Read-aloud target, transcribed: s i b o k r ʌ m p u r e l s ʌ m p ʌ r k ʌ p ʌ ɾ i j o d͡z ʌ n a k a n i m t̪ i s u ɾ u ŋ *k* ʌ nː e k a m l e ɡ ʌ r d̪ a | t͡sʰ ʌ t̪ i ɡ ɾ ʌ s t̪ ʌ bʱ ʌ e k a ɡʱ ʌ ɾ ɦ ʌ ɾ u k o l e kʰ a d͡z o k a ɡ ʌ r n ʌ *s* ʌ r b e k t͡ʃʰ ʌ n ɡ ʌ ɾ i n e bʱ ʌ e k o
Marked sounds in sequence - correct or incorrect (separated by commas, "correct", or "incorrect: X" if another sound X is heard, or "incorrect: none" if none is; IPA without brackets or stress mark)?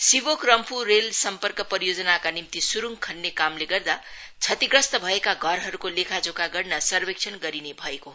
incorrect: kʰ, correct